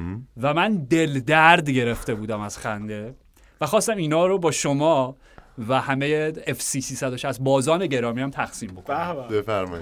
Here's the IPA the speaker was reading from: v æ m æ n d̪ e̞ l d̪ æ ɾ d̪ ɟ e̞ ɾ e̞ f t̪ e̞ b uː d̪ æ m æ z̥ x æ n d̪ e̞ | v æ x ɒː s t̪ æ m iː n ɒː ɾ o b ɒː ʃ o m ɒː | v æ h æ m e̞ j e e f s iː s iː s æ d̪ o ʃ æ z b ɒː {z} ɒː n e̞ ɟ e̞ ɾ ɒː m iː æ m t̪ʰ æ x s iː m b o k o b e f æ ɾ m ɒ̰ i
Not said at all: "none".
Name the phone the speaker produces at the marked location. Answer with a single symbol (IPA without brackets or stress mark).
z